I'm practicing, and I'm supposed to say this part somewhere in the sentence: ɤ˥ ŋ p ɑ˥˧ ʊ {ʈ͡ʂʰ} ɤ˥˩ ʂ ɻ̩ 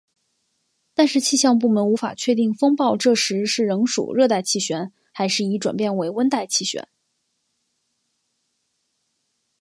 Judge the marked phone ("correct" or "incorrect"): incorrect